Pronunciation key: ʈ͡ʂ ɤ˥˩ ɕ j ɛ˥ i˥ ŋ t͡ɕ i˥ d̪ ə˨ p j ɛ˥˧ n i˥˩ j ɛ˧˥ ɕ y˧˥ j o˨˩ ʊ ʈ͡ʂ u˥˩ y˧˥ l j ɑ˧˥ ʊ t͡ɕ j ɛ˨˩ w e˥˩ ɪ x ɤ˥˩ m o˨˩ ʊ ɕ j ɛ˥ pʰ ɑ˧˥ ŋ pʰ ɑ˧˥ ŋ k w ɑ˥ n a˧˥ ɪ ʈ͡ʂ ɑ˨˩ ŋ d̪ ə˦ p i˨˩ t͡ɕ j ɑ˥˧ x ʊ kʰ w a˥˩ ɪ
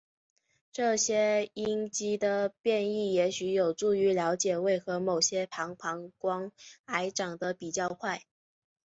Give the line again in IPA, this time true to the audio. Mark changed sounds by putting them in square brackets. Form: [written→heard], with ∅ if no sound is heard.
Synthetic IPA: ʈ͡ʂ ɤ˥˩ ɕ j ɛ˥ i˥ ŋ t͡ɕ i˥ d̪ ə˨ p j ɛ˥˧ n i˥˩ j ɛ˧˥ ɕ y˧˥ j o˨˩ ʊ ʈ͡ʂ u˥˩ y˧˥ l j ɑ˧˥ ʊ t͡ɕ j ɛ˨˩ w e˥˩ ɪ x [ɤ˥˩→ɤ˧˥] m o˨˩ ʊ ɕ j ɛ˥ pʰ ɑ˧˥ ŋ pʰ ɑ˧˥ ŋ k w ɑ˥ [n→ŋ] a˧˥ ɪ ʈ͡ʂ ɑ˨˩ ŋ d̪ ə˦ p i˨˩ t͡ɕ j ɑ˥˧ [x→∅] ʊ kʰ w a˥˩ ɪ